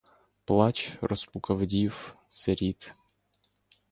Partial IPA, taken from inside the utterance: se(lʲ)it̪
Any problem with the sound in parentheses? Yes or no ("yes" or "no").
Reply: yes